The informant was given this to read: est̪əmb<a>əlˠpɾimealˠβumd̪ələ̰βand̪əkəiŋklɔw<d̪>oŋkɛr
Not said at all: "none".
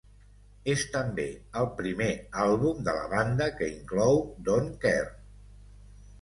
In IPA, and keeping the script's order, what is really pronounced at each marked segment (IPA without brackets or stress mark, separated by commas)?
e, d̪